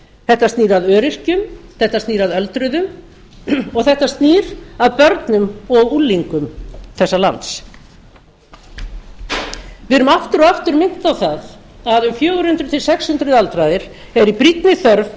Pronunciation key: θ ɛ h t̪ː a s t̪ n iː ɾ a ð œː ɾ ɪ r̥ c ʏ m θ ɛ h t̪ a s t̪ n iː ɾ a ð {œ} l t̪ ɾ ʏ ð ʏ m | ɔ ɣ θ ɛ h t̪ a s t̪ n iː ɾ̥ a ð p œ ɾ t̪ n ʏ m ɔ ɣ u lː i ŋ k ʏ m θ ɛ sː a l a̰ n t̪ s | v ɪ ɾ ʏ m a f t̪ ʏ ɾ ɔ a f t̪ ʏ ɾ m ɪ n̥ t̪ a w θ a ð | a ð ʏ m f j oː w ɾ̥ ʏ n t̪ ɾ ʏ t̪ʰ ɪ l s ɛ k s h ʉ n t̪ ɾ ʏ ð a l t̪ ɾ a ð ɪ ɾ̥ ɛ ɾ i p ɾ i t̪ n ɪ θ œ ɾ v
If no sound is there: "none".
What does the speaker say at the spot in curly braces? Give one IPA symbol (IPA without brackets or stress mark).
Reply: œ